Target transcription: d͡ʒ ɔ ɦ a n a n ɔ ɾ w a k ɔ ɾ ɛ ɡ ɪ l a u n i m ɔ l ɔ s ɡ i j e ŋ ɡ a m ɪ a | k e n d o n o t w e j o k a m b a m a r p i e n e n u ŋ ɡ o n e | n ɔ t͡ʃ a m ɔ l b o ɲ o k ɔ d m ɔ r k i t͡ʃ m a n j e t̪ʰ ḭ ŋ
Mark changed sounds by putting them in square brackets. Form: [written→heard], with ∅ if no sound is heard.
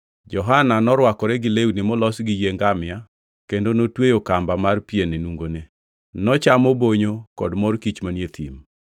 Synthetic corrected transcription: d͡ʒ ɔ ɦ a n a n ɔ ɾ w a k ɔ ɾ ɛ ɡ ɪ l [a→e] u n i m ɔ l ɔ s ɡ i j e ŋ ɡ a m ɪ a | k e n d o n o t w e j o k a m b a m a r p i e n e n u ŋ ɡ o n e | n ɔ t͡ʃ a m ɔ [l→∅] b o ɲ o k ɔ d m ɔ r k i t͡ʃ m a n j e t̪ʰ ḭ [ŋ→m]